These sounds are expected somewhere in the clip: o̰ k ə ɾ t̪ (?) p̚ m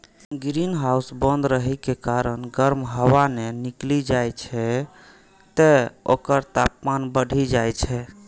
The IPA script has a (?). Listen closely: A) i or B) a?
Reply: B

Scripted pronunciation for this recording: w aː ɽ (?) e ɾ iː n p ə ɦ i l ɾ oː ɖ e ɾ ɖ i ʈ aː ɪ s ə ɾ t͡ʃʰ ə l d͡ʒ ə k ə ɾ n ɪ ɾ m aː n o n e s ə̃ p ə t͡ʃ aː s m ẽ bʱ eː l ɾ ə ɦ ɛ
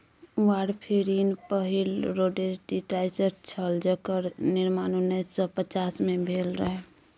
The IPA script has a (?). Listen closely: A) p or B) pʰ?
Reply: B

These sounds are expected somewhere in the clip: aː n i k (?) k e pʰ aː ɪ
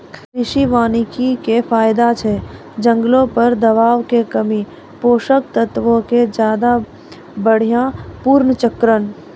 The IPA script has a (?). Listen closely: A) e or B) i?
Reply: B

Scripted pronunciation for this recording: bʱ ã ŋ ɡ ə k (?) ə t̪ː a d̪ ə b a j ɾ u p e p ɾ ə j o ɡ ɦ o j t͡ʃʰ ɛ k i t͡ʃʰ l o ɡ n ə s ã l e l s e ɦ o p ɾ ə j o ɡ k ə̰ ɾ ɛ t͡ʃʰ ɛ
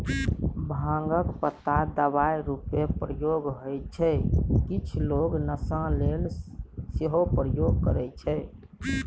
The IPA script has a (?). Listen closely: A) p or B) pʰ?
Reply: A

